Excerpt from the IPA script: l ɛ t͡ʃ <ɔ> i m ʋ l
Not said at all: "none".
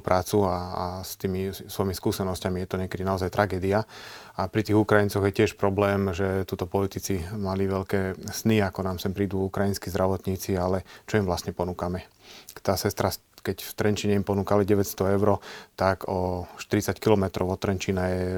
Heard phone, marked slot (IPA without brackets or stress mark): ɔ